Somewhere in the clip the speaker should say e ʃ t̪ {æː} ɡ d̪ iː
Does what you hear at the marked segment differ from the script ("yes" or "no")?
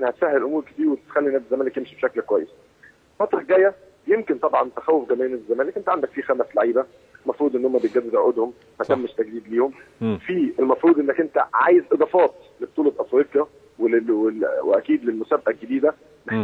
yes